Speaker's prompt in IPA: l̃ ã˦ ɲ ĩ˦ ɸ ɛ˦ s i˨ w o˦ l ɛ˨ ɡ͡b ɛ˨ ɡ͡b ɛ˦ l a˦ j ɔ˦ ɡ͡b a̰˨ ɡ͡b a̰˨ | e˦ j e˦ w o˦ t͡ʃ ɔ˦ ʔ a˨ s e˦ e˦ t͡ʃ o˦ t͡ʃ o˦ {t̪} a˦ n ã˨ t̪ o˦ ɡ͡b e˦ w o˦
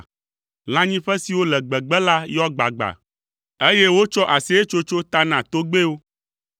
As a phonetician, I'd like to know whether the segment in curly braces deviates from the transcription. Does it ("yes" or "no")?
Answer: no